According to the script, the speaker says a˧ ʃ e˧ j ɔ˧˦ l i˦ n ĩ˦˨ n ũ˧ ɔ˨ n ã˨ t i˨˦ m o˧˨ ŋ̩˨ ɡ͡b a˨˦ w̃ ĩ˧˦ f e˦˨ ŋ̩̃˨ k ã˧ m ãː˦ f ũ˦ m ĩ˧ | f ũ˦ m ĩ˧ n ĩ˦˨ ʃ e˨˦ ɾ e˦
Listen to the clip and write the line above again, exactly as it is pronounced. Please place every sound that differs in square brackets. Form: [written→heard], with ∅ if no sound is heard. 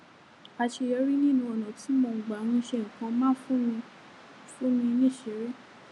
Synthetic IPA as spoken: a˧ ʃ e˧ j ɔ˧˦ [l→ɾ] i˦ n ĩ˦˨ n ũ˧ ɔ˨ n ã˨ t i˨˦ m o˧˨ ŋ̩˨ ɡ͡b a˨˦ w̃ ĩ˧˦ [f→ʃ] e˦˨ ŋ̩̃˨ k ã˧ m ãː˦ f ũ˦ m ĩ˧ | f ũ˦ m ĩ˧ n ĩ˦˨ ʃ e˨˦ ɾ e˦

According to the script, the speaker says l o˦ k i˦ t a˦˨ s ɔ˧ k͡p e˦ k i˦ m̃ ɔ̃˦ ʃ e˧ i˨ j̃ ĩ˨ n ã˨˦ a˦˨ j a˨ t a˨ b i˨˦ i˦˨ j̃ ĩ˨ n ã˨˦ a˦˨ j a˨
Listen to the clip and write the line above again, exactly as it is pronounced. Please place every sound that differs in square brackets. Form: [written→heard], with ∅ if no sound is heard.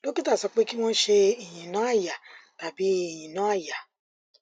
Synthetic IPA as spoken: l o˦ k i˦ t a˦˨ s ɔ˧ k͡p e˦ k i˦ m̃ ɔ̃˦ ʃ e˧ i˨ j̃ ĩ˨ n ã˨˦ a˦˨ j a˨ t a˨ b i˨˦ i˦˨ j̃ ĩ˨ n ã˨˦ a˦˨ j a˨

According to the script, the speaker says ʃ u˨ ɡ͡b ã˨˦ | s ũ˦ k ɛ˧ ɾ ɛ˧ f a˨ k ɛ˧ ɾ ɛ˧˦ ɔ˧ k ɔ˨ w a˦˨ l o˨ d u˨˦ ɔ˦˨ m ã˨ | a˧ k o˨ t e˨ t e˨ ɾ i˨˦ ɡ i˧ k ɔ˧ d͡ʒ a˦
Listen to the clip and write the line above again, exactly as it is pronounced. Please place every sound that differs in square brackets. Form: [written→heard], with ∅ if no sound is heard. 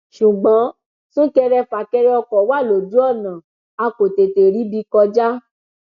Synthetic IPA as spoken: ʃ u˨ ɡ͡b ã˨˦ | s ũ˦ k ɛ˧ ɾ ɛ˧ f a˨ k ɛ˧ ɾ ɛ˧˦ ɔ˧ k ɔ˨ w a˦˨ l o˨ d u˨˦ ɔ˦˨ [m→n] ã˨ | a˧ k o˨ t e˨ t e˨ ɾ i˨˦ [ɡ→b] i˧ k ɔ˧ d͡ʒ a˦

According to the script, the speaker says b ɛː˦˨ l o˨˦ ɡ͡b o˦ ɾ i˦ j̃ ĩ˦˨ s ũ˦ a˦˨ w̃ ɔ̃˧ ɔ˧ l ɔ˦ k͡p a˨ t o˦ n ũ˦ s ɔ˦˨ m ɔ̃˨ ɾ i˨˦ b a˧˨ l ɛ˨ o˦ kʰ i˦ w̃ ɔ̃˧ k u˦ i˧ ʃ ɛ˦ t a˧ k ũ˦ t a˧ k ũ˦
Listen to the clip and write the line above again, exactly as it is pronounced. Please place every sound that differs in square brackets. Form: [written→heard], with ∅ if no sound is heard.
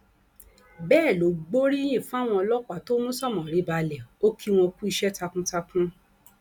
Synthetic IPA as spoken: b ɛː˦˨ l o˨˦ ɡ͡b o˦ ɾ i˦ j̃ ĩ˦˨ [s→f] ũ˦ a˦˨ w̃ ɔ̃˧ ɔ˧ l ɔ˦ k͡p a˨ t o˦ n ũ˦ s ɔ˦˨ m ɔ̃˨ ɾ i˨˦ b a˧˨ l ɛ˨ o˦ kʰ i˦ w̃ ɔ̃˧ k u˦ i˧ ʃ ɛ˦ t a˧ k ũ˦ t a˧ k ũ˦

